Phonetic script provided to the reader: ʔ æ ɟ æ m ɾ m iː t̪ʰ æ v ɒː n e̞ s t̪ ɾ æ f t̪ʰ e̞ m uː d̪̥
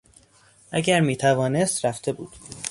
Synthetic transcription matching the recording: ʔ æ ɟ æ ɾ m iː t̪ʰ æ v ɒː n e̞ s t̪ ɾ æ f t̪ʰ e̞ b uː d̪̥